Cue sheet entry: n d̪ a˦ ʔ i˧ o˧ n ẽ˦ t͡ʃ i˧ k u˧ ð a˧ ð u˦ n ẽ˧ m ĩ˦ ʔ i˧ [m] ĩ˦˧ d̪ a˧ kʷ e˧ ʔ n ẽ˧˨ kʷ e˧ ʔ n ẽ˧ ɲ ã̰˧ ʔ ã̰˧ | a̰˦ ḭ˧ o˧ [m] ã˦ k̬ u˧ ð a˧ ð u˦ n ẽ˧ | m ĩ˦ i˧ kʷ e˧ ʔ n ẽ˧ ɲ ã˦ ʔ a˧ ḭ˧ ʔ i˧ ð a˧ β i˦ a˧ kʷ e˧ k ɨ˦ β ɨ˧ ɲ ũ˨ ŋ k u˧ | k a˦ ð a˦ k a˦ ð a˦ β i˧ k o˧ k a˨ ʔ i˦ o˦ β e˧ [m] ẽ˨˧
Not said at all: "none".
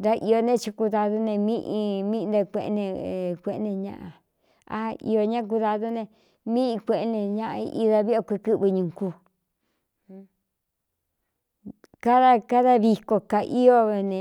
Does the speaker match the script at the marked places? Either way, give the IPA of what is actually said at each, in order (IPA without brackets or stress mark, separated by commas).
m, ɲ, n